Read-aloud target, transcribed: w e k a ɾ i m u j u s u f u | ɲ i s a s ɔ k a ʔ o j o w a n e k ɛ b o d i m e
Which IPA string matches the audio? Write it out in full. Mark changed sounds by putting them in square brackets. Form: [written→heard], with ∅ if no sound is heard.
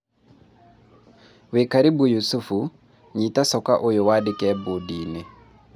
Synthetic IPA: w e k a ɾ i [m→b] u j u s u f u | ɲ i [s→t] a s ɔ k a ʔ o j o w a [n→d] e k ɛ b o d i [m→n] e